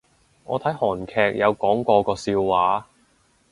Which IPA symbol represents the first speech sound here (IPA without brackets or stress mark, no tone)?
ŋ